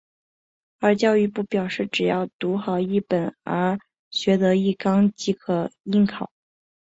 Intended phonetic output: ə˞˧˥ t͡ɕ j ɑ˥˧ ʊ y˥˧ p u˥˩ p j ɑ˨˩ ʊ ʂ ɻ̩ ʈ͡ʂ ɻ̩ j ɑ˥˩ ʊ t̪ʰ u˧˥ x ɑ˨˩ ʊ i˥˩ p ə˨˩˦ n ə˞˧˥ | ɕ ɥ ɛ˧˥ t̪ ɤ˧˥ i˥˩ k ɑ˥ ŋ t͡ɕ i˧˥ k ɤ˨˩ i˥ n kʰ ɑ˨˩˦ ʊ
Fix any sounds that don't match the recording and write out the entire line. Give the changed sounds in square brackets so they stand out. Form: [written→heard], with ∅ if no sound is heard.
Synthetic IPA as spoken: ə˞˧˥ t͡ɕ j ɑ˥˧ ʊ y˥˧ p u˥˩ p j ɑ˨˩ ʊ ʂ ɻ̩ ʈ͡ʂ ɻ̩ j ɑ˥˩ ʊ [t̪ʰ→t̪] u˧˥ x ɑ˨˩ ʊ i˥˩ p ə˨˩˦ n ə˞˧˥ | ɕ ɥ ɛ˧˥ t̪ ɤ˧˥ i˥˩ k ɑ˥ ŋ t͡ɕ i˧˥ [k→kʰ] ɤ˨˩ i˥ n kʰ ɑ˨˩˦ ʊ